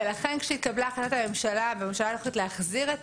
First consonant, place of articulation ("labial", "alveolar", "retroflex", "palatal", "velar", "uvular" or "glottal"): alveolar